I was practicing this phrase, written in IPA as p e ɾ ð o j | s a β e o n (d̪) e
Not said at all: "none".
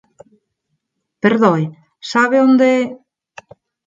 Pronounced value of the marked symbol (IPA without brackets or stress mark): d̪